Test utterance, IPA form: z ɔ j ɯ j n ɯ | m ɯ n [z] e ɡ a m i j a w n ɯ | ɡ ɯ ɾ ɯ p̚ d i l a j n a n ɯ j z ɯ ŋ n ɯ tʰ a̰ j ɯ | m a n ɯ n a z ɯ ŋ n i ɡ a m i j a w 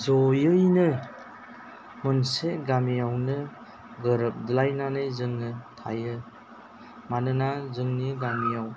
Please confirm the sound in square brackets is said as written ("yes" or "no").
no